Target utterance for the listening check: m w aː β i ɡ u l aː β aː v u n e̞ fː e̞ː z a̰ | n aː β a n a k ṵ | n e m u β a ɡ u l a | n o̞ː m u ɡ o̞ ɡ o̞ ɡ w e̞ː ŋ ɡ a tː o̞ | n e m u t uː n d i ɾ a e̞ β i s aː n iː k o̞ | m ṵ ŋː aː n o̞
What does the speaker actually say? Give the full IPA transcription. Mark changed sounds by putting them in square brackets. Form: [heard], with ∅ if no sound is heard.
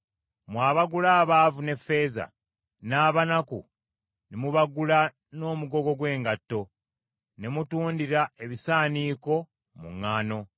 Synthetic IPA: m w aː β [a] ɡ u l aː β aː v u n e̞ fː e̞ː z a̰ | n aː β a n a k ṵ | n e m u β a ɡ u l a | n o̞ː m u ɡ o̞ ɡ o̞ ɡ w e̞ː ŋ ɡ a tː o̞ | n e m u t uː n d i ɾ a e̞ β i s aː n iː k o̞ | m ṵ ŋː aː n o̞